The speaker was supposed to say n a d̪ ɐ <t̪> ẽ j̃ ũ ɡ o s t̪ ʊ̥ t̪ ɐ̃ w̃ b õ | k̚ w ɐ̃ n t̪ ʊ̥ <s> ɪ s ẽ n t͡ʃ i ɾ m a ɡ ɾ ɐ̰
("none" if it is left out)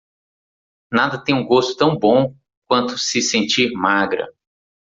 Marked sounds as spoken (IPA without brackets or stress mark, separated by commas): t̪, s